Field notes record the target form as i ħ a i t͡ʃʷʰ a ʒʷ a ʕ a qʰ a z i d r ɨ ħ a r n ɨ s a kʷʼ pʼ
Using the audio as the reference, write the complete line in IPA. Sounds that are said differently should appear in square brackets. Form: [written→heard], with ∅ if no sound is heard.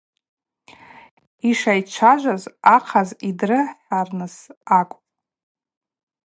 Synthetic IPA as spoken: i [ħ→ʂ] a [i→j] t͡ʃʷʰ a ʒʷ a [ʕ→z] a qʰ a z i d r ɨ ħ a r n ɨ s a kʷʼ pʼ